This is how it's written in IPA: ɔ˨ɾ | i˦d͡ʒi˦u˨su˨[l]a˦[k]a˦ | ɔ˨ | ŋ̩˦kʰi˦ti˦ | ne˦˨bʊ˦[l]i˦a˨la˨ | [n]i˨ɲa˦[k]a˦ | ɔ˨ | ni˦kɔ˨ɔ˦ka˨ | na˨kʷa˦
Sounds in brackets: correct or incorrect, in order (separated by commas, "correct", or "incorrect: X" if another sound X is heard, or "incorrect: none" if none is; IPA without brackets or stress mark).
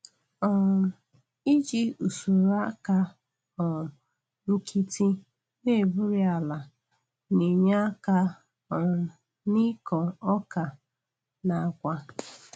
incorrect: ɾ, correct, incorrect: ɾ, correct, correct